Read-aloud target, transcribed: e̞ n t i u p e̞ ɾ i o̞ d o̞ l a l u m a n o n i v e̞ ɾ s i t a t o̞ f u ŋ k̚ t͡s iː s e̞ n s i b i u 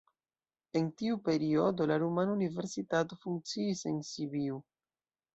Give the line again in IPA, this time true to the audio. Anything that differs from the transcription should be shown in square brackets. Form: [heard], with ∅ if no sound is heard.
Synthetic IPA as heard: e̞ n t i u p e̞ ɾ i o̞ d o̞ l a [ɾ] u m a n [u] n i v e̞ ɾ s i t a t o̞ f u ŋ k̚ t͡s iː s e̞ n s i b i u